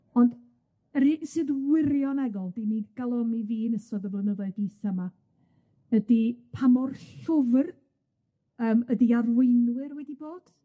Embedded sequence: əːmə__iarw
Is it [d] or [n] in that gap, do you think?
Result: d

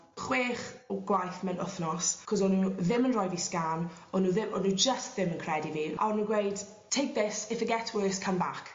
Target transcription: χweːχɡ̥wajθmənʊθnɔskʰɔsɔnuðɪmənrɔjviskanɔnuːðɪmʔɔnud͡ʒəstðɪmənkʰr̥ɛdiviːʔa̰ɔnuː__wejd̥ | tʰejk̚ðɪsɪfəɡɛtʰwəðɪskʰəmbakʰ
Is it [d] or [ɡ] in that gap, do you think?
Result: ɡ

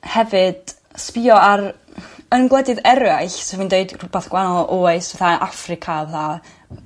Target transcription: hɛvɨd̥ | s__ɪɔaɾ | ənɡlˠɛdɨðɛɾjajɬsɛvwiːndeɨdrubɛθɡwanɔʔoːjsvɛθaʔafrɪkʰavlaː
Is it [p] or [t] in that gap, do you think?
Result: p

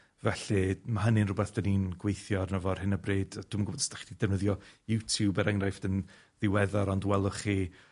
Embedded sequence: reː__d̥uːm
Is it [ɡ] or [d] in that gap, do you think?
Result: d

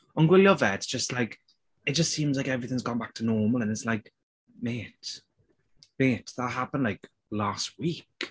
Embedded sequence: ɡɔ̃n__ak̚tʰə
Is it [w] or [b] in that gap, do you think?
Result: b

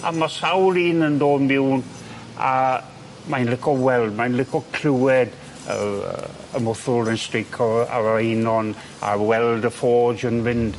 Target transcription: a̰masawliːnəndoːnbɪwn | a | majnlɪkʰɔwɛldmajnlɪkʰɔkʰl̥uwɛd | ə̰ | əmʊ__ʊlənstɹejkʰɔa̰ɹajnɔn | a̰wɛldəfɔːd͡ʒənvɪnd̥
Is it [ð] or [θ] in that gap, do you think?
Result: θ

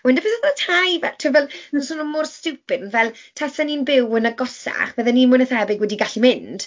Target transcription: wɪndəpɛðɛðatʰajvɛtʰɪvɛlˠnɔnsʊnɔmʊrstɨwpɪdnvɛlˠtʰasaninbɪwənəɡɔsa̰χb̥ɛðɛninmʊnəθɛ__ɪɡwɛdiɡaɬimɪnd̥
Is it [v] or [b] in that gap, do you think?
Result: b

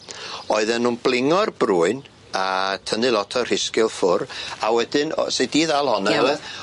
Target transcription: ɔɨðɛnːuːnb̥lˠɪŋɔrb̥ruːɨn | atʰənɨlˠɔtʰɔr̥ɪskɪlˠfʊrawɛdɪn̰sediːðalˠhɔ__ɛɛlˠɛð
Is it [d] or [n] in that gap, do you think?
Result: n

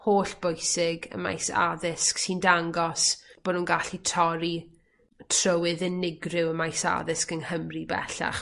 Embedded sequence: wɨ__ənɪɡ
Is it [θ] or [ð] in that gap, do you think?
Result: ð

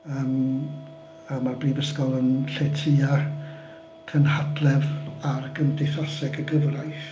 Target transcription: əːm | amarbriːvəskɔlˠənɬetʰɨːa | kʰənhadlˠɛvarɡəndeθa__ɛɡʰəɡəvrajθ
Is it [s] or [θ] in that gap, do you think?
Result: s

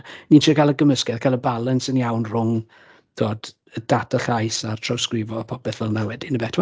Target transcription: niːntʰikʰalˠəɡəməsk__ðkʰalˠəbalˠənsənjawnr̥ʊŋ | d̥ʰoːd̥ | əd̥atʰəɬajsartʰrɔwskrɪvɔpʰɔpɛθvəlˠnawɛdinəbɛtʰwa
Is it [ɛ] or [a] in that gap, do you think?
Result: ɛ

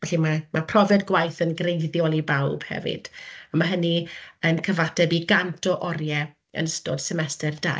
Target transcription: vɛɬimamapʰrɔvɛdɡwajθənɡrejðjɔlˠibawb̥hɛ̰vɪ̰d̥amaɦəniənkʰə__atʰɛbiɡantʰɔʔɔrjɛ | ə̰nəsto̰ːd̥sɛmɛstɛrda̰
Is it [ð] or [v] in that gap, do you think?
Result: v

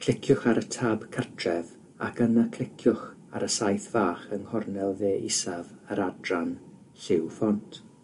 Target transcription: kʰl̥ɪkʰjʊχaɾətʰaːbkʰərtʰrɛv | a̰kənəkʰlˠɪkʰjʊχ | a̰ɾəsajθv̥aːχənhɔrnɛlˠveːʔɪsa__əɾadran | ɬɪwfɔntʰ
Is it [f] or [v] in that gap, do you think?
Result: v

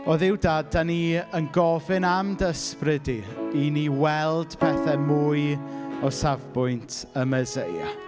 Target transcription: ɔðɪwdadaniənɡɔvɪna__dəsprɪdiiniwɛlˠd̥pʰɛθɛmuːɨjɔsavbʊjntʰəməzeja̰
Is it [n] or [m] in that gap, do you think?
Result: m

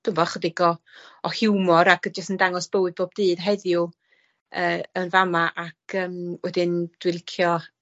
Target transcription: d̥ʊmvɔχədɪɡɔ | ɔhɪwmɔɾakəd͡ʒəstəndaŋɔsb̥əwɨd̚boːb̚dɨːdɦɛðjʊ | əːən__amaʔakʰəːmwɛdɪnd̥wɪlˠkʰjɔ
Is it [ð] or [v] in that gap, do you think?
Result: v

